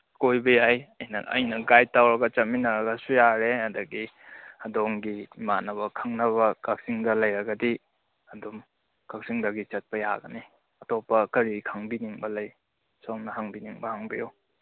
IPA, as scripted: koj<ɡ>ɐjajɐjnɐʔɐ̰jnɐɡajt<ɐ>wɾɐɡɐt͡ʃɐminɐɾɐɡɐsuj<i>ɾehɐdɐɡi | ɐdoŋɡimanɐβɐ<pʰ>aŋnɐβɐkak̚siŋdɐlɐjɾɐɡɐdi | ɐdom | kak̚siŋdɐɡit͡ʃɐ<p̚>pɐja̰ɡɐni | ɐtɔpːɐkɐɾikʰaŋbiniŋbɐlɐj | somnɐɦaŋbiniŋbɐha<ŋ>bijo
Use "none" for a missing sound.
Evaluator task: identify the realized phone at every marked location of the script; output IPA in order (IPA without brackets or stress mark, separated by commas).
b, a, a, kʰ, t̚, ŋ